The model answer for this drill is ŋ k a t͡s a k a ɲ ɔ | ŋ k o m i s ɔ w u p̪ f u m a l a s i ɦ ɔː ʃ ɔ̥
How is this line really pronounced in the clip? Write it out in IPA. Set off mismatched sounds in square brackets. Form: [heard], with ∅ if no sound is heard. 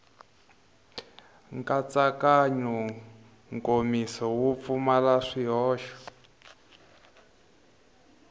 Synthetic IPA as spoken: ŋ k a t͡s a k a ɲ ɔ | ŋ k o m i s ɔ w u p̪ f u m a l a [ʂ] i ɦ ɔː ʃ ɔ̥